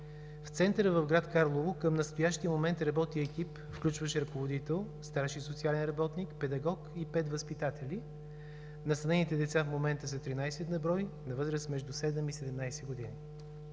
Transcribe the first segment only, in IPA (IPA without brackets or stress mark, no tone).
f